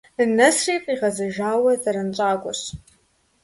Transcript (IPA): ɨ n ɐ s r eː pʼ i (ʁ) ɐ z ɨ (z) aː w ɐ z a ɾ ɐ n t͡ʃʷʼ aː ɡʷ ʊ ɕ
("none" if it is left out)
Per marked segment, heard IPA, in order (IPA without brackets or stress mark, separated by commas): ʁ, ʒ